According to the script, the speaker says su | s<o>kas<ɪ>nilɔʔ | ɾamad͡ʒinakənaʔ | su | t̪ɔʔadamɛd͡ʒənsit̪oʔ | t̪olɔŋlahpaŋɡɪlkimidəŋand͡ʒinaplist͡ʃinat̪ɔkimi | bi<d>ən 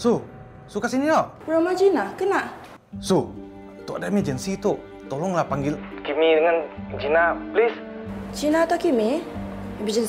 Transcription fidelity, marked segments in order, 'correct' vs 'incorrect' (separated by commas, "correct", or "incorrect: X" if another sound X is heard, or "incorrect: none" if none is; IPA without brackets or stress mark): incorrect: u, incorrect: i, incorrect: d͡ʒ